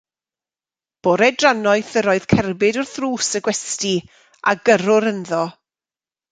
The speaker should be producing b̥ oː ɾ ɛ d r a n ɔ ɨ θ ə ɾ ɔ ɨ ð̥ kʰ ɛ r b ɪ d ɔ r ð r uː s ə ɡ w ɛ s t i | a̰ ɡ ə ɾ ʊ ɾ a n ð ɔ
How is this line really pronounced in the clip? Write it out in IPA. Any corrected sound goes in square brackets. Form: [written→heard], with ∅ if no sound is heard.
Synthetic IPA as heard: b̥ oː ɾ ɛ d r a n ɔ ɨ θ ə ɾ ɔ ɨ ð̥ kʰ ɛ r b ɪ d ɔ r [ð→θ] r uː s ə ɡ w ɛ s t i | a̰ ɡ ə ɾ ʊ ɾ [a→ə] n ð ɔ